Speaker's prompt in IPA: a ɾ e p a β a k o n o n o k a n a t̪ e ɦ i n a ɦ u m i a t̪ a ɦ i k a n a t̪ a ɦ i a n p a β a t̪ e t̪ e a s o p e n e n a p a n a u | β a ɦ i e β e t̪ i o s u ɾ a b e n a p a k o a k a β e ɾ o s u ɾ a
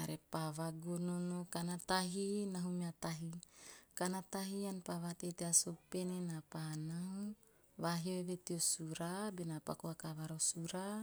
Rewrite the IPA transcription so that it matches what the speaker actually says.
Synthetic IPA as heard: a ɾ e p a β a ɡ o n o n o k a n a t̪ a ɦ i n a ɦ u m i a t̪ a ɦ i k a n a t̪ a ɦ i a n p a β a t̪ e t̪ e a s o p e n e n a p a n a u | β a ɦ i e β e t̪ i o s u ɾ a b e n a p a k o a k a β a ɾ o s u ɾ a

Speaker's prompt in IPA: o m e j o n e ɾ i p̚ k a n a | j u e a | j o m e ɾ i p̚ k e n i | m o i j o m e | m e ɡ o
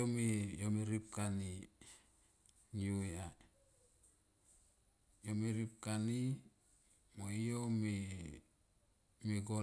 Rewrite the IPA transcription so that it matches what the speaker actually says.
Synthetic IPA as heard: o m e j o m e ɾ i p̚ k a n i | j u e a | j o m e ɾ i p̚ k a n i | m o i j o m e | m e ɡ o

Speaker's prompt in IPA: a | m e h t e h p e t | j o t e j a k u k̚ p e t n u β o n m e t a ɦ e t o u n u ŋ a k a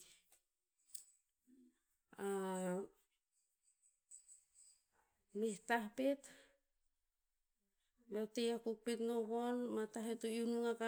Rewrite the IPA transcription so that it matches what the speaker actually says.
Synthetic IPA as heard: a | m e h t a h p e t | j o t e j a k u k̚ p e t n o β o n m a t a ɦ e t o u n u ŋ a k a

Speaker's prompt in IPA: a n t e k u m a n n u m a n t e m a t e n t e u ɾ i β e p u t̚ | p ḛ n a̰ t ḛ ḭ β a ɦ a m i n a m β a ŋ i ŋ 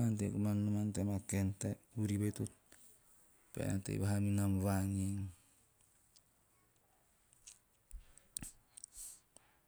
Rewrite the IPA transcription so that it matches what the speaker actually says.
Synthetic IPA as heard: a n t e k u m a n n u m a n t e m a k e n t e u ɾ i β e t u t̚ | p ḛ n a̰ t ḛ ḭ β a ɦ a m i n a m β a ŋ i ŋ

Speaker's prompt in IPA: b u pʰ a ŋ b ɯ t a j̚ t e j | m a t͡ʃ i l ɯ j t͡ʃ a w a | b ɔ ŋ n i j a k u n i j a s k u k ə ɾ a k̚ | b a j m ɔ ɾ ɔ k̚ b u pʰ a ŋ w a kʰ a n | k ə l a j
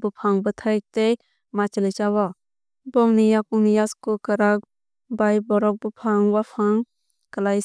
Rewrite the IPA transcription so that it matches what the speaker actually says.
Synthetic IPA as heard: b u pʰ a ŋ b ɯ tʰ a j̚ t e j | m a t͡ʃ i l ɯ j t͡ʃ a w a | b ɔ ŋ n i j a k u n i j a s k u k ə ɾ a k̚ | b a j b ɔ ɾ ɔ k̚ b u pʰ a ŋ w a pʰ a ŋ | k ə l a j

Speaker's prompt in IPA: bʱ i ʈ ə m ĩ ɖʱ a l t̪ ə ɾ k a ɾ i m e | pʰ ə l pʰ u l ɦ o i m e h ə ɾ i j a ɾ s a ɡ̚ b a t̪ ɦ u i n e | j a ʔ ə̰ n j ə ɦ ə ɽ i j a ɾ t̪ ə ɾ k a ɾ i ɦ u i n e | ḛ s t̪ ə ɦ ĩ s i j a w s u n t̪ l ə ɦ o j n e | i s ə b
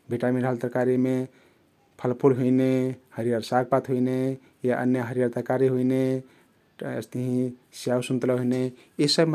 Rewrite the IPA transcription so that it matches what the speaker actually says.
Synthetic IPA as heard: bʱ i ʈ a m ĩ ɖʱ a l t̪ ə ɾ k a ɾ i m e | pʰ ə l pʰ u l ɦ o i n e h ə ɾ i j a ɾ s a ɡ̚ p a t̪ ɦ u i n e | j a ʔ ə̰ n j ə ɦ ə ɾ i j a ɾ t̪ ə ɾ k a ɾ i ɦ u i n e | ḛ s t̪ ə ɦ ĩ s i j a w s u n t̪ l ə ɦ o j n e | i s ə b

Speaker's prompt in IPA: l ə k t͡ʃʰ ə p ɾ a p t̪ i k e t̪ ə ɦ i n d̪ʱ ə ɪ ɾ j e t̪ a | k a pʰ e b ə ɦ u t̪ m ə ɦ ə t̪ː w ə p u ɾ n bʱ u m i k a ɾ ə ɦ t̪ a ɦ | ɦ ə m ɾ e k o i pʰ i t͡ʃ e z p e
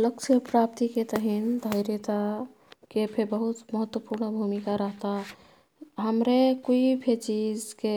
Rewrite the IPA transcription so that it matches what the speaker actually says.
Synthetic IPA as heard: l ə k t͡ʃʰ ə p ɾ a p t̪ i k e t̪ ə ɦ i n d̪ʱ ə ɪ ɾ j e t̪ a | k e pʰ e b ə ɦ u t̪ m ə ɦ ə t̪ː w ə p u ɾ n bʱ u m i k a ɾ ə ɦ t̪ a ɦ | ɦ ə m ɾ e k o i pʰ e t͡ʃ i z k e

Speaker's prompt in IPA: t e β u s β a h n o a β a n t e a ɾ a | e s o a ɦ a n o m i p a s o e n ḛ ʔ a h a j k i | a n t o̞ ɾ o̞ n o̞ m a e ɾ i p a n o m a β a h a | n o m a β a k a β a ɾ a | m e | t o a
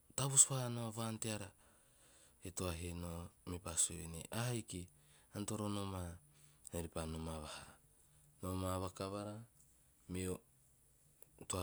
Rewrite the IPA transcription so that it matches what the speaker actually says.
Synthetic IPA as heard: t a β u s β a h n o a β a n t e a ɾ a | e t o a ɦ e n o m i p a s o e n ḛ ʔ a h a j k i | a n t o̞ ɾ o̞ n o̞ m a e ɾ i p a n o m a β a h a | n o m a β a k a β a ɾ a | m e | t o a

